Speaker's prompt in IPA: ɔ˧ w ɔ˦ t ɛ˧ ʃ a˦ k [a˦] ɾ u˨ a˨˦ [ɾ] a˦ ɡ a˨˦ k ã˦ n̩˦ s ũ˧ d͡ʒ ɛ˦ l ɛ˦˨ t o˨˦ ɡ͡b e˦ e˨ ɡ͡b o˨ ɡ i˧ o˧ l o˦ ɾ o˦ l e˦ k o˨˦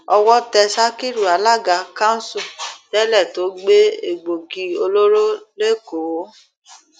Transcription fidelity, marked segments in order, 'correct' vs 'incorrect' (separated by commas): incorrect, incorrect